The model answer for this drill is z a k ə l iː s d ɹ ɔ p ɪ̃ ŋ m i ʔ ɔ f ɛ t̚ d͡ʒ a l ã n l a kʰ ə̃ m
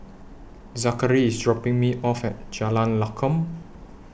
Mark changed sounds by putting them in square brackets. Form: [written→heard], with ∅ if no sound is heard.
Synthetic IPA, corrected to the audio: z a k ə [l→ɹ] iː s d ɹ ɔ p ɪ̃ ŋ m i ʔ ɔ f ɛ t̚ d͡ʒ a l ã n l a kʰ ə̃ m